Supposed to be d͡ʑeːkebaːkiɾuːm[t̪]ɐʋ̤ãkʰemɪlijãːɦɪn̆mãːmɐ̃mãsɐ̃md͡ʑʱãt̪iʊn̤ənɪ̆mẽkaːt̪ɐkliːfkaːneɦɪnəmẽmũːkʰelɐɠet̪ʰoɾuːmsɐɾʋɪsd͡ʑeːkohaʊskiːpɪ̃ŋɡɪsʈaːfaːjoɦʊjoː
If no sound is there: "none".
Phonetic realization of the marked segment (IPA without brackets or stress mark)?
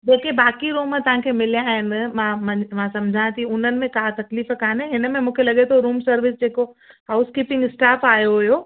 t̪